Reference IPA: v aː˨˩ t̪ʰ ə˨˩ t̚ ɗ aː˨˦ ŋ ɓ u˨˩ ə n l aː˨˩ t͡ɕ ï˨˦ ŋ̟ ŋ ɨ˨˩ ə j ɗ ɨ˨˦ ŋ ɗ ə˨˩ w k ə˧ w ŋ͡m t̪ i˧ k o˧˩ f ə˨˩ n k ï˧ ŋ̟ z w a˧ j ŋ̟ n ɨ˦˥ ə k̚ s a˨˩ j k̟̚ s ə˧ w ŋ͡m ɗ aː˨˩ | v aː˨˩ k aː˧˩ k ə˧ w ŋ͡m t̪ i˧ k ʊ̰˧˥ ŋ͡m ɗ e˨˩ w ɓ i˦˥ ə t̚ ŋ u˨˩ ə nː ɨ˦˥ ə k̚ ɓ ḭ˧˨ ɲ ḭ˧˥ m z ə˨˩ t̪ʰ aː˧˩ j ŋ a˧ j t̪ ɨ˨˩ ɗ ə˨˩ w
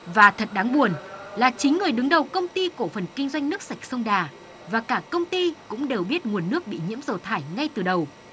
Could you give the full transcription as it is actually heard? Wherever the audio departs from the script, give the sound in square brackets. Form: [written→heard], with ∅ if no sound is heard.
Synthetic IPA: v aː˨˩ t̪ʰ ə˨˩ t̚ ɗ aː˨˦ ŋ ɓ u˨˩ ə n l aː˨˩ t͡ɕ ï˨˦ ŋ̟ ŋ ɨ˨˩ ə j ɗ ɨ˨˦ ŋ ɗ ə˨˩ w k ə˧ w ŋ͡m t̪ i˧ k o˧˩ f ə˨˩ n k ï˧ ŋ̟ z w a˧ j ŋ̟ n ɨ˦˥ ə k̚ s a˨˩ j k̟̚ s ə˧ w ŋ͡m ɗ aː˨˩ | v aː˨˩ k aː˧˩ k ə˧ w ŋ͡m t̪ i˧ k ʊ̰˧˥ ŋ͡m ɗ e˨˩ w ɓ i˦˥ ə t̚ ŋ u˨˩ ə nː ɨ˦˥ ə k̚ ɓ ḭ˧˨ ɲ ḭ˧˥ m z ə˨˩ t̪ʰ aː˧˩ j ŋ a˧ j t̪ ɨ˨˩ ɗ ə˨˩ w